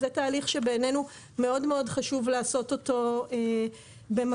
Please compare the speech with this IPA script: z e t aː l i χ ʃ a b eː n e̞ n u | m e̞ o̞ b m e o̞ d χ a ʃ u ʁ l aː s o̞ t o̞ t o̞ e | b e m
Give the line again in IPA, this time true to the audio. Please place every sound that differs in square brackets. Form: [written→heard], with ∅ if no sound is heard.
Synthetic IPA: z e t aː l i χ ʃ [a→e] b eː n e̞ n u | m e̞ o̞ [b→d] m e o̞ d χ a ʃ u [ʁ→v] l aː s o̞ t o̞ t o̞ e | b e m